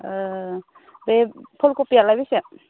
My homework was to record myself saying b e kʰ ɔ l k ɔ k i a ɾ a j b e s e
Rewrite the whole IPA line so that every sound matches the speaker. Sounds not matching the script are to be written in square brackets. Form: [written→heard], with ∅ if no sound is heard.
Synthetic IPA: b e [kʰ→pʰ] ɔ l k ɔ [k→p] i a [ɾ→l] a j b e s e